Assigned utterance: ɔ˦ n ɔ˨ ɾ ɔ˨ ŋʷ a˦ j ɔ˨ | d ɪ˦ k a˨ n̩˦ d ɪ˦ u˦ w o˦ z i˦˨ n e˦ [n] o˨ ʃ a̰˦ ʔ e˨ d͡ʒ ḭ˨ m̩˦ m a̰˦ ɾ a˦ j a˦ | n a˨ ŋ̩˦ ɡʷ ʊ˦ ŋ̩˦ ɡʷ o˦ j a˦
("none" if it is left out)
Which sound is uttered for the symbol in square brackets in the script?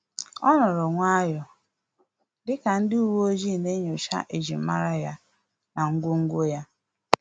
ɲ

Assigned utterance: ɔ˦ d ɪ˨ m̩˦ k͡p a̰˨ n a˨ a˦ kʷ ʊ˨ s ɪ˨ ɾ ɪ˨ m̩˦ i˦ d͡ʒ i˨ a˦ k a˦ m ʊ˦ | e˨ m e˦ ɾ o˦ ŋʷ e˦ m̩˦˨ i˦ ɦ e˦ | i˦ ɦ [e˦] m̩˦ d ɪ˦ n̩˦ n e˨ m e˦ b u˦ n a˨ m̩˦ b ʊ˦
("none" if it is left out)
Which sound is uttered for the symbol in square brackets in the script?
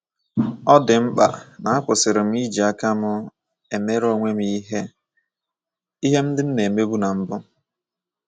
e˦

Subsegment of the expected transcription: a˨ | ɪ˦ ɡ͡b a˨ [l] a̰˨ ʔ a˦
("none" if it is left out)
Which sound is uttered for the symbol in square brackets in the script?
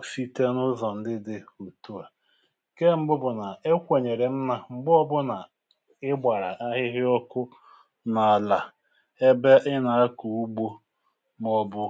ɾ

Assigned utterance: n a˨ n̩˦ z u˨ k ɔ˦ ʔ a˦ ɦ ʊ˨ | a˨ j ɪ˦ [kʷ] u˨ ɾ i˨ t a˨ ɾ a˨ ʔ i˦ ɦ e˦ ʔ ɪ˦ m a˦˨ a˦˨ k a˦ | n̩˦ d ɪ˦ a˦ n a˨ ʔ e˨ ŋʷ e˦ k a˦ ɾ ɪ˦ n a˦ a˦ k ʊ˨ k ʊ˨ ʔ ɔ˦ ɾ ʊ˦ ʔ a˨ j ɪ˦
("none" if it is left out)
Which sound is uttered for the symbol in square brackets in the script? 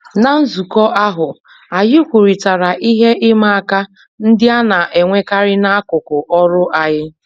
kʷ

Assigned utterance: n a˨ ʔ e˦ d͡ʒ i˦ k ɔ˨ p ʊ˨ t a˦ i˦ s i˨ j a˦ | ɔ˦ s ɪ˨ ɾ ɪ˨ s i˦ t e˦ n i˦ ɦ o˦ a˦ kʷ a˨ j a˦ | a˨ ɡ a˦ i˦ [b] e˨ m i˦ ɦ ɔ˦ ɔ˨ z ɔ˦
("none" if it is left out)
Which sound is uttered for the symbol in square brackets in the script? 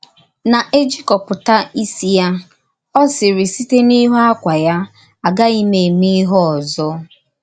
m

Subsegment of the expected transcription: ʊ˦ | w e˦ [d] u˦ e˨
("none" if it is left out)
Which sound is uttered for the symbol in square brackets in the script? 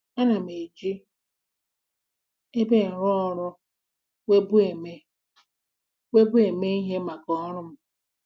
b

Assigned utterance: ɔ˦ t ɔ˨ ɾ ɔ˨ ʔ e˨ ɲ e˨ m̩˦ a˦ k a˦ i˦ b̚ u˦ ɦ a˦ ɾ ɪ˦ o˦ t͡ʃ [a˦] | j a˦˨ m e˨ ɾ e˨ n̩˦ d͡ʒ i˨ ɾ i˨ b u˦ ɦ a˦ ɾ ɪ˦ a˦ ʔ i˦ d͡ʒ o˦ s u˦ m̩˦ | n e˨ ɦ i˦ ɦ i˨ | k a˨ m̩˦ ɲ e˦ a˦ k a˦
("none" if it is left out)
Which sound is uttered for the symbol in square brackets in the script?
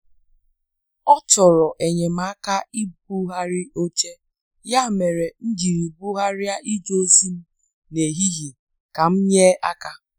e˦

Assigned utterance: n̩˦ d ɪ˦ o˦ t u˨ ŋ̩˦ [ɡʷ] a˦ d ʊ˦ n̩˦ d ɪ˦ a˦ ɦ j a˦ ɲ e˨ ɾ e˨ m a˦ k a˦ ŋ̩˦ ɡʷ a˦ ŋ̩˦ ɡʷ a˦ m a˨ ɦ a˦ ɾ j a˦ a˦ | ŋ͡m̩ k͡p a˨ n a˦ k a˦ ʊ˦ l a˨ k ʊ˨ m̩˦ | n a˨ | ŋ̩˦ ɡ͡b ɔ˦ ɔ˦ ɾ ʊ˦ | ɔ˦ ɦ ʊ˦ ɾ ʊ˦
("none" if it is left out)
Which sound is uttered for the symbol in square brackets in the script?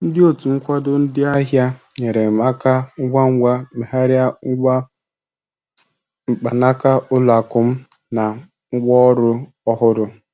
kʷ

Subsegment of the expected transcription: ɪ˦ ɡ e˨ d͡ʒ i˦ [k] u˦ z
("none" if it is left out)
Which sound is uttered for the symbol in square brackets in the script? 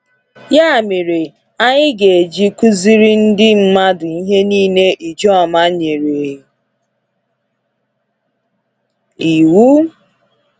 k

